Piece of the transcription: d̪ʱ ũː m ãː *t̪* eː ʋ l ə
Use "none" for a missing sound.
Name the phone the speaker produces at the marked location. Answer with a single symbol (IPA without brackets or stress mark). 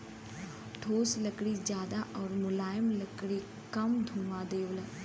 d̪